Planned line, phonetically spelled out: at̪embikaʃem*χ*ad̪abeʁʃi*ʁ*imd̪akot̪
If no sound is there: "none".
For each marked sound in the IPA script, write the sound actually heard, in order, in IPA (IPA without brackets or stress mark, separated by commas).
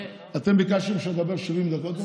ʃ, v